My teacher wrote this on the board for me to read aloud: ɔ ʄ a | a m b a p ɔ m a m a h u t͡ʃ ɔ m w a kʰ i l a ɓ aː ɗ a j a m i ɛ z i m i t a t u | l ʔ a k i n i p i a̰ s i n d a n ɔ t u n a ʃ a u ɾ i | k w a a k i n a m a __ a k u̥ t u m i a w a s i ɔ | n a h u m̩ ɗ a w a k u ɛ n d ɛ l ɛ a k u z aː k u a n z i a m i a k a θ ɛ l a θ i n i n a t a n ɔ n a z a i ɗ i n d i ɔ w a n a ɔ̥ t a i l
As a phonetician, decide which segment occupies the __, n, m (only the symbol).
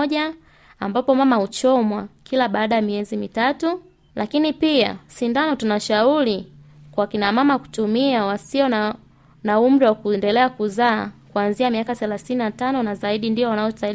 m